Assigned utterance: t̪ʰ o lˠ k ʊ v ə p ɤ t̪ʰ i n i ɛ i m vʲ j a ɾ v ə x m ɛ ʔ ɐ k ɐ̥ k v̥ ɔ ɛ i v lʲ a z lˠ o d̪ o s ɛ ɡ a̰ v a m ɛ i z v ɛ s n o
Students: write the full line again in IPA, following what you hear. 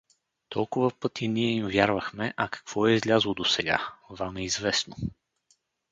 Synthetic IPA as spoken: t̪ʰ ɔ lˠ k ʊ v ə p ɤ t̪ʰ i n i ɛ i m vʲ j a ɾ v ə x m ɛ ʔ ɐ k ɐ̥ k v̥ ɔ ɛ i z lʲ a z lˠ o d̪ o s ɛ ɡ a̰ v a m ɛ i z v ɛ s n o